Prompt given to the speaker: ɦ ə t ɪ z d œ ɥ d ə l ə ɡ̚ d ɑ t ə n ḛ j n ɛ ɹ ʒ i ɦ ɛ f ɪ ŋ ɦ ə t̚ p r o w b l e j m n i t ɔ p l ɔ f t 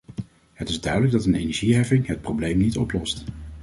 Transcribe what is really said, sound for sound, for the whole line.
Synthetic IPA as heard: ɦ ə t ɪ z d œ ɥ d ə l ə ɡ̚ d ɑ t ə n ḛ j n ɛ ɹ ʒ i ɦ ɛ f ɪ ŋ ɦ ə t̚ p r o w b l e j m n i t ɔ p l ɔ s t